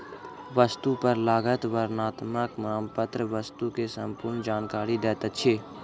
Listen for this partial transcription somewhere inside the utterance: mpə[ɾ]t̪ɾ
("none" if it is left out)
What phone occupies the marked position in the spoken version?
none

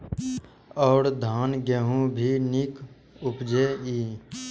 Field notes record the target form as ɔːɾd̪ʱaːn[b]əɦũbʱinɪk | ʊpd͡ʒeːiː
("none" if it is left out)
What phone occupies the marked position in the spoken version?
ɡ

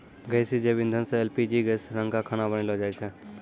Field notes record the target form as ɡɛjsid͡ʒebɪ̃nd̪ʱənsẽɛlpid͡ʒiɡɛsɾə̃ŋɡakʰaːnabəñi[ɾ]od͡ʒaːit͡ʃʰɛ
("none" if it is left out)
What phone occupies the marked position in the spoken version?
l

